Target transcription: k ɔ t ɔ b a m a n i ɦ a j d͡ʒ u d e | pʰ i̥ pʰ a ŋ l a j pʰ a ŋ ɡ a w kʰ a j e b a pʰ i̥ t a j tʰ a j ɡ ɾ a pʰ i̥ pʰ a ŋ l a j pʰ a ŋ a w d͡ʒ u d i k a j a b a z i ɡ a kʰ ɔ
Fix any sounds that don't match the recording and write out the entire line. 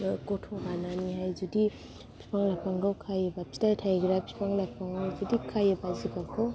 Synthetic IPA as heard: k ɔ tʰ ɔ b a n a n i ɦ a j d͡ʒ u d i | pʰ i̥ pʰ a ŋ l a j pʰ a ŋ ɡ a w kʰ a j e b a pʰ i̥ t a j tʰ a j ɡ ɾ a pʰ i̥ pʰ a ŋ l a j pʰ a ŋ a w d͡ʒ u d i kʰ a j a b a z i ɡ a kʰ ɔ